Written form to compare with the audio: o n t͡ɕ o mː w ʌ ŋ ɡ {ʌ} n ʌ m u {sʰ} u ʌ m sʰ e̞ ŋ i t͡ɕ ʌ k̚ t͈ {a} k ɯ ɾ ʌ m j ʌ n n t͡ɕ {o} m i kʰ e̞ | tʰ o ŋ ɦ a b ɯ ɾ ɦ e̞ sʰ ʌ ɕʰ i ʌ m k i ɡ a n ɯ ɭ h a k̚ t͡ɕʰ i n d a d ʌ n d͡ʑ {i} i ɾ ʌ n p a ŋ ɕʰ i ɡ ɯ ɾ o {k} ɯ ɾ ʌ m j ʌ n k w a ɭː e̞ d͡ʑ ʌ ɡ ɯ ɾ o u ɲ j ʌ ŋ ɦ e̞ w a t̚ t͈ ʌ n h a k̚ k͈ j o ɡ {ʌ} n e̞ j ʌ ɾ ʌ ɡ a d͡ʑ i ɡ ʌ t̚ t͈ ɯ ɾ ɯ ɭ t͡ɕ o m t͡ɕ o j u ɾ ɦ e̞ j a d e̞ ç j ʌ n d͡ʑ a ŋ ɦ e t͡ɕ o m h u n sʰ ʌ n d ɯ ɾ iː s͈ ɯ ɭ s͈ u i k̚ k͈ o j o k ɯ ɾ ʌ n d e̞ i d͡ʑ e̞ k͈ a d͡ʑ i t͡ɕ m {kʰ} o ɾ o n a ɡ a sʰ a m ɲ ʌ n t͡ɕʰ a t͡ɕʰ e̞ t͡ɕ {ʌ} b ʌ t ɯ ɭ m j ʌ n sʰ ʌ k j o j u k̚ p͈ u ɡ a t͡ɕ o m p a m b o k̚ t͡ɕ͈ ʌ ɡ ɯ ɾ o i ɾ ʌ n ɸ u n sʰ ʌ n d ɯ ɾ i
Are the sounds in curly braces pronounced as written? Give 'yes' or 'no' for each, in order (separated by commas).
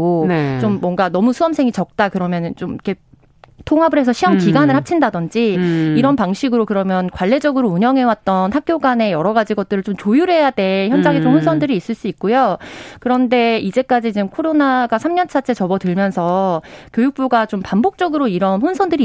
no, yes, yes, yes, yes, yes, no, yes, yes